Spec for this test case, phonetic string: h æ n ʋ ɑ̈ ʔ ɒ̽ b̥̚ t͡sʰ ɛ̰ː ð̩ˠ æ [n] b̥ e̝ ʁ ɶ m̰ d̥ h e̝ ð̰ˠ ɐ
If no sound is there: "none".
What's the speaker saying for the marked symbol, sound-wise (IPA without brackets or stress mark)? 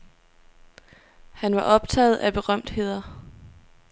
none